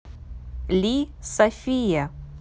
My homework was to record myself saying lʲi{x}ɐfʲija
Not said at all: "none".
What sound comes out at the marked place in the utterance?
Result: s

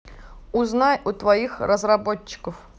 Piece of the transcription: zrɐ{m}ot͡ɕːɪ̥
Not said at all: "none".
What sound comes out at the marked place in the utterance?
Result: b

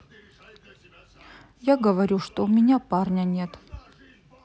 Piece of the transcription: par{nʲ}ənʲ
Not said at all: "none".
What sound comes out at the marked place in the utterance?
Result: nʲ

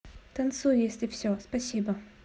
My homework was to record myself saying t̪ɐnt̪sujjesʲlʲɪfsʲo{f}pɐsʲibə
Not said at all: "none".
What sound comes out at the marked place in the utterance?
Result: s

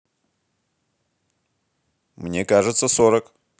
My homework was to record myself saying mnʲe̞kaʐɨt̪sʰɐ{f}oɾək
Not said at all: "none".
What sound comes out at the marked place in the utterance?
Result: s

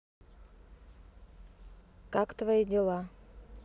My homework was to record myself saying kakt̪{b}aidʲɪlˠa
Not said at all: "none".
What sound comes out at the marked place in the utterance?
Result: v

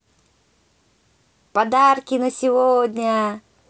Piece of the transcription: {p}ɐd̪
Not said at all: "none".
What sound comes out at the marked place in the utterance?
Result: p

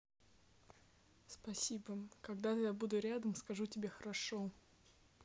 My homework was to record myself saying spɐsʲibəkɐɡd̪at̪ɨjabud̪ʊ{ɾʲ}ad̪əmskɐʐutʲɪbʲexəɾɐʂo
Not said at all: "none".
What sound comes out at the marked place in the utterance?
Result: ɾʲ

